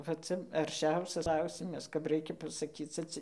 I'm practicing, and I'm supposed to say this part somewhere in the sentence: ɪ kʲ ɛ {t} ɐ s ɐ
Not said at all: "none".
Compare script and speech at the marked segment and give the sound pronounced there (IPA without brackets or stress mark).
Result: p